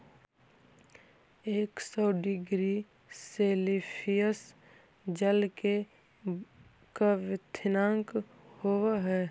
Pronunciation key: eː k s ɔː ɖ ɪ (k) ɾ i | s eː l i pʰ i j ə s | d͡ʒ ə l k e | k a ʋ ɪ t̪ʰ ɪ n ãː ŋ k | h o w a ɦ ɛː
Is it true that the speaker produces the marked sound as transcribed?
no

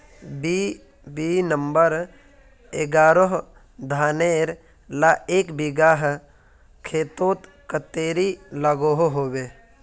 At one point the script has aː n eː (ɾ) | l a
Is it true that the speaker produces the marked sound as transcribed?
yes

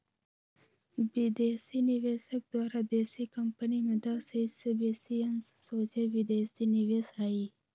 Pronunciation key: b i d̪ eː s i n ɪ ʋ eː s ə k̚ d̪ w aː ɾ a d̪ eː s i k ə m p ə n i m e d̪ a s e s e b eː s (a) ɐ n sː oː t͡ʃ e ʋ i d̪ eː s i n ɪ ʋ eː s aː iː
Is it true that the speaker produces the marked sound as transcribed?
no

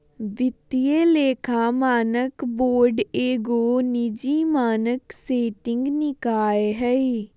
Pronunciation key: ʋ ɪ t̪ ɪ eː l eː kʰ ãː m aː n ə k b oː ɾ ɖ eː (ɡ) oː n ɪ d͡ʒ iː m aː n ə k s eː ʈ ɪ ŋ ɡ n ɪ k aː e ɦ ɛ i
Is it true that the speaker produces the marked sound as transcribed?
yes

